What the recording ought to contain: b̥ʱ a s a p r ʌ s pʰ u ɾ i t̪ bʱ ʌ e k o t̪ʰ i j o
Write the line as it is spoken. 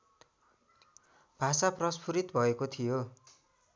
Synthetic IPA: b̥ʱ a s a p r ʌ s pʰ u ɾ i t̪ bʱ ʌ e k o t̪ʰ i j o